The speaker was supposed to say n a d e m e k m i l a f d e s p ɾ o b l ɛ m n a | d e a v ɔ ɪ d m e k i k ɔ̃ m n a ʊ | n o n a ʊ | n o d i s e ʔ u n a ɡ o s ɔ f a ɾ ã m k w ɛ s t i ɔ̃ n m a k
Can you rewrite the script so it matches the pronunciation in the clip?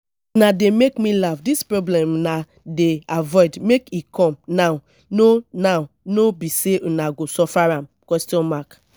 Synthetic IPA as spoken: n a d e m e k m i l a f d i s p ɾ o b l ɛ m n a | d e a v ɔ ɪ d m e k i k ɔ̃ m n a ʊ | n o n a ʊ | n o b i s e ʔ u n a ɡ o s ɔ f a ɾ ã m k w ɛ s t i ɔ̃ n m a k